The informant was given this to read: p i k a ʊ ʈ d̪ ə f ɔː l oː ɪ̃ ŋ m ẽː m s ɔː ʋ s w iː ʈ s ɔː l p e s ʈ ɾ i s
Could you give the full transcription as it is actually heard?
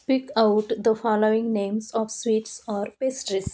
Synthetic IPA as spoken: p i k a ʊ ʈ d̪ ə f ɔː l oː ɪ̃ ŋ n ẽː m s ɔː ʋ s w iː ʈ s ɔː ɾ p e s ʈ ɾ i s